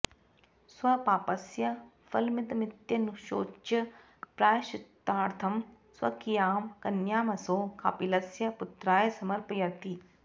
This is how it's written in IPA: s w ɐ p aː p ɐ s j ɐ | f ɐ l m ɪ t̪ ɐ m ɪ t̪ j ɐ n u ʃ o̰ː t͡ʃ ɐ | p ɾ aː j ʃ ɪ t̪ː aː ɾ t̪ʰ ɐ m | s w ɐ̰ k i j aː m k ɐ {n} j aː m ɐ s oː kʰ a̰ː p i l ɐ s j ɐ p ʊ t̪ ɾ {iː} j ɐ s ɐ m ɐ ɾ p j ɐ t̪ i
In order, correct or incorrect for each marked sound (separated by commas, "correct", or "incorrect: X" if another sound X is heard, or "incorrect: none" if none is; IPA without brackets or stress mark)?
correct, incorrect: aː